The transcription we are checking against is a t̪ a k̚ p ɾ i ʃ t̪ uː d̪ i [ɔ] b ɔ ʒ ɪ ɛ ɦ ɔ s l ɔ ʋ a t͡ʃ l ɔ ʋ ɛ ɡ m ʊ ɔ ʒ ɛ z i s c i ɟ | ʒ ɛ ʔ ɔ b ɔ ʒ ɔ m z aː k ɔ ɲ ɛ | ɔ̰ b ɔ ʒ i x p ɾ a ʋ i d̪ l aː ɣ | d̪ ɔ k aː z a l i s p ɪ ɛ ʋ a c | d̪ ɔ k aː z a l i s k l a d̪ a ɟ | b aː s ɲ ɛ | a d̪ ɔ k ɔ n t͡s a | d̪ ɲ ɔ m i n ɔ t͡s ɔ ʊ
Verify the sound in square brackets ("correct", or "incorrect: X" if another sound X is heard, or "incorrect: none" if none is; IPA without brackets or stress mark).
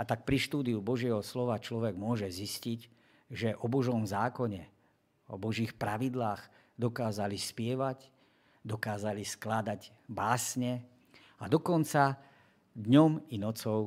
incorrect: u